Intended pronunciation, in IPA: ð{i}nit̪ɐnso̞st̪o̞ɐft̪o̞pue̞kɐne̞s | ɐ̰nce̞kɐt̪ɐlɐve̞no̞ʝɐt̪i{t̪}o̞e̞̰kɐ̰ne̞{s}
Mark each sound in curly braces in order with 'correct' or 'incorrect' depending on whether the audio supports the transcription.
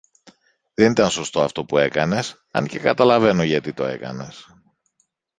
incorrect: e, correct, correct

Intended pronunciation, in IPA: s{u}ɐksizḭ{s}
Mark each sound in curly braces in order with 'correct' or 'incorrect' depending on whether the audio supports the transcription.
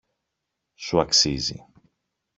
correct, incorrect: none

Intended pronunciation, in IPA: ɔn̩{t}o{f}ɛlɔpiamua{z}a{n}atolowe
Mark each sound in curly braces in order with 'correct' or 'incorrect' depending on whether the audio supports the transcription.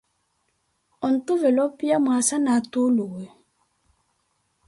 correct, incorrect: v, incorrect: s, correct

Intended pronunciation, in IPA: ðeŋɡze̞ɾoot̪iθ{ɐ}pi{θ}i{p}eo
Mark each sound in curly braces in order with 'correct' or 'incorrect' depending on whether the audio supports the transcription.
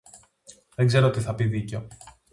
correct, incorrect: ð, incorrect: c

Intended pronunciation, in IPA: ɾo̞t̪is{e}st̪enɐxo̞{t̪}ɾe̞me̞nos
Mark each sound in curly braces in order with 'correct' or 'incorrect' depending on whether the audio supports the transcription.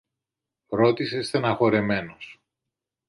correct, incorrect: none

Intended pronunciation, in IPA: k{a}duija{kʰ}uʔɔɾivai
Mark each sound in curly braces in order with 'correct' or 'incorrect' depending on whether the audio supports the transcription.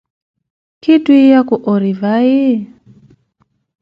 incorrect: i, incorrect: k

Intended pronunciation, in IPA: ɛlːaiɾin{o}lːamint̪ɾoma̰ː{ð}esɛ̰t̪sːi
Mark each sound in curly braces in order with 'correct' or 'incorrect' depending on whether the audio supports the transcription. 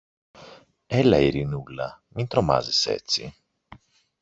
incorrect: u, incorrect: z

